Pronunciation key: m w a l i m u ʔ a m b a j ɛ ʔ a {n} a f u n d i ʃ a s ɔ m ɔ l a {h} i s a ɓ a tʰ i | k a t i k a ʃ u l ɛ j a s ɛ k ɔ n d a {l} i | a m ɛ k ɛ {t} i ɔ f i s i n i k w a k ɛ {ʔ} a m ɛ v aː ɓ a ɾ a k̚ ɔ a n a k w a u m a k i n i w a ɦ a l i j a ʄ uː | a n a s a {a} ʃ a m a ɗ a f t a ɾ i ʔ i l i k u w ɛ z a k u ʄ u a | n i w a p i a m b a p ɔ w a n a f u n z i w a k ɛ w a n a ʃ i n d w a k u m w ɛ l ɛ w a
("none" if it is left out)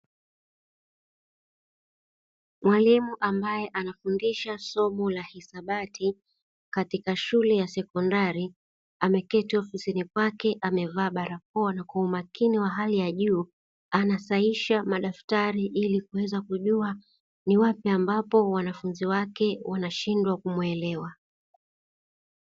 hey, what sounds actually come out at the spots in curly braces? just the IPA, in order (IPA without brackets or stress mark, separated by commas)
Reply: n, h, ɾ, t, ʔ, i